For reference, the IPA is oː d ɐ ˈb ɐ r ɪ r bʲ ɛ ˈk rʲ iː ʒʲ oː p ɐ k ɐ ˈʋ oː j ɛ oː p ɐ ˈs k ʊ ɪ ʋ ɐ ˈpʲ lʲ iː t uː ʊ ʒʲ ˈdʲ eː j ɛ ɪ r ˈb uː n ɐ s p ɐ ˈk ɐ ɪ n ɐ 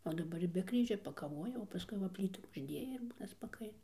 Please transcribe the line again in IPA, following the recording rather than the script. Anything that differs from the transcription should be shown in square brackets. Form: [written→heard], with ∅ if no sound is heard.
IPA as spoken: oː d ɐ ˈb ɐ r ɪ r bʲ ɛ ˈk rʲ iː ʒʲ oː p ɐ k ɐ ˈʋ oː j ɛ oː p ɐ ˈs k ʊ ɪ ʋ ɐ ˈpʲ lʲ iː t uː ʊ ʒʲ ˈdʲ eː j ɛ ɪ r ˈb uː n ɐ s p ɐ ˈk ɐ ɪ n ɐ